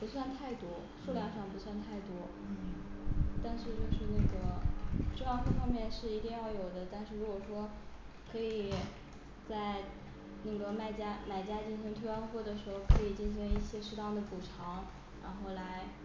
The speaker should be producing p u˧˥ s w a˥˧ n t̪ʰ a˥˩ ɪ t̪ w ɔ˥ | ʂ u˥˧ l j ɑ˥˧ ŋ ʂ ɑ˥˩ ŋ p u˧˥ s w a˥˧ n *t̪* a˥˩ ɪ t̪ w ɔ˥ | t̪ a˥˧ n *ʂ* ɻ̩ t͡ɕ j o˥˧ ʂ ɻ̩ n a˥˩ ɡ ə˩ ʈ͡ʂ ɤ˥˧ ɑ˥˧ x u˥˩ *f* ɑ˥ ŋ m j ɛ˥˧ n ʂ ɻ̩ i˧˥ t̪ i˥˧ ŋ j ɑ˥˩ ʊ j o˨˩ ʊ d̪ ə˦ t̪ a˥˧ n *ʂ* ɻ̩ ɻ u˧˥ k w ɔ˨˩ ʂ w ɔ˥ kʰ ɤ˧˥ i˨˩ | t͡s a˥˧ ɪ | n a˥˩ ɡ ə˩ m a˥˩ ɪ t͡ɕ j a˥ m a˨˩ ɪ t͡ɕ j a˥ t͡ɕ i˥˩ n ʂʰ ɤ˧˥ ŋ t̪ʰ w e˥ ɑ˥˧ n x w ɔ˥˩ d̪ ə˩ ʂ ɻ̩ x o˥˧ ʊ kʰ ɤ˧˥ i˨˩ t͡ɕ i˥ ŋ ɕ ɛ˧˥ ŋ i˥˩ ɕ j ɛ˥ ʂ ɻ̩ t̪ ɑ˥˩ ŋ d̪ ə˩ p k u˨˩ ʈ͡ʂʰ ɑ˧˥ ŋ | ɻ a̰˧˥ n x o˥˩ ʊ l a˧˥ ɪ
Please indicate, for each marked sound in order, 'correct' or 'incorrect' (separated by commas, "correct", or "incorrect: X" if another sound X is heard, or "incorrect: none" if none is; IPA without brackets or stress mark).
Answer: incorrect: t̪ʰ, correct, correct, correct